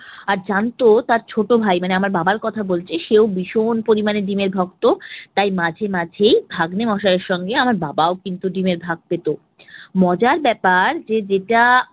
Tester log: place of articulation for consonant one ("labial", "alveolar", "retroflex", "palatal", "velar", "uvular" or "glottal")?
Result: alveolar